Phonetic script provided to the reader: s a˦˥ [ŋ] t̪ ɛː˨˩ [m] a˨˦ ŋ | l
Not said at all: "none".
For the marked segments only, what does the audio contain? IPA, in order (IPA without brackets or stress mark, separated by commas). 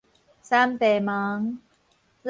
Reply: m, m